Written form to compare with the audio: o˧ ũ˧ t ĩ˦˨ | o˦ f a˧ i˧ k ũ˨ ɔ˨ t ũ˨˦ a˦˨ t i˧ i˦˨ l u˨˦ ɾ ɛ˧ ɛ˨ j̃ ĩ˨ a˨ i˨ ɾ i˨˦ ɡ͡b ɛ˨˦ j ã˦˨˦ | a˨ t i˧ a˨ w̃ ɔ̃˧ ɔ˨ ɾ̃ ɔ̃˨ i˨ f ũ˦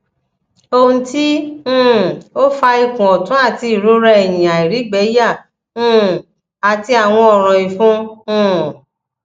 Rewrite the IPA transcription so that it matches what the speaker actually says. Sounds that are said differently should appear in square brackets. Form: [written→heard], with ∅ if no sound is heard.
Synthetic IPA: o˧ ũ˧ t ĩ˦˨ | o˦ f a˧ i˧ k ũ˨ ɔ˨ t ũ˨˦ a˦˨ t i˧ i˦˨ [l→ɾ] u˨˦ ɾ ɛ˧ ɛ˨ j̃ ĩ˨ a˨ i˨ ɾ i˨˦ ɡ͡b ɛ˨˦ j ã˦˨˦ | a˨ t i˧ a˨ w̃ ɔ̃˧ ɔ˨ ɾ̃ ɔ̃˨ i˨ f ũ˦